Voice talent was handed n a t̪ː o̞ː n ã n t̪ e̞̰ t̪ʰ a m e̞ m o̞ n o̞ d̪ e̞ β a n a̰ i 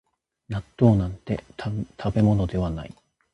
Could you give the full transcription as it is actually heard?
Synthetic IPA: n a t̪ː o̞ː n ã n t̪ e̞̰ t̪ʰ a b e̞ m o̞ n o̞ d̪ e̞ β a n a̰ i